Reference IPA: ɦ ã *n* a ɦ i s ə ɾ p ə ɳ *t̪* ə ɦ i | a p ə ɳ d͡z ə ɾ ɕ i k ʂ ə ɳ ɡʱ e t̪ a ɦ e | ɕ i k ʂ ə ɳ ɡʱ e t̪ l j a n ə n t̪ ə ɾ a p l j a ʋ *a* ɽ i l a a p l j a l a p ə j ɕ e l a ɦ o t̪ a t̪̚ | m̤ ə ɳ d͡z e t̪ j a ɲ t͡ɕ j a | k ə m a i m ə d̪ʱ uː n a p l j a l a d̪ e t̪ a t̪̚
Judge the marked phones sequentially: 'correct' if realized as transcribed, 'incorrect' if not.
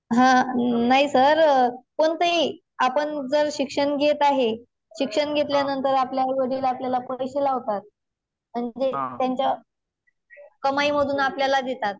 correct, correct, incorrect: ə

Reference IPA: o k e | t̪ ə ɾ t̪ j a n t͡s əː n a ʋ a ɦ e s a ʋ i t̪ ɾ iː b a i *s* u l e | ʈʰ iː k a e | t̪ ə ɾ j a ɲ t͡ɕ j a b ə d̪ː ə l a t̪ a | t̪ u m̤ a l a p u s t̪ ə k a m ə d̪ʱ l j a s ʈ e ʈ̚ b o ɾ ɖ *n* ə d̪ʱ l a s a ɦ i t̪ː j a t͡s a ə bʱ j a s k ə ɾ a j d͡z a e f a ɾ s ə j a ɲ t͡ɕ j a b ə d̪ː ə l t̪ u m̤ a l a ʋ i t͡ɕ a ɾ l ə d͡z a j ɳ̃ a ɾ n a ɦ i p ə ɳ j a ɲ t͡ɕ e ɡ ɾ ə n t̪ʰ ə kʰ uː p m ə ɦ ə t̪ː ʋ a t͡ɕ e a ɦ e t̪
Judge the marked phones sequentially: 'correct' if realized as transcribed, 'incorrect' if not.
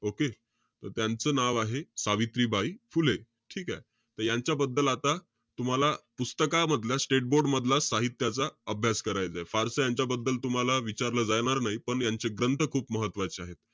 incorrect: f, incorrect: m

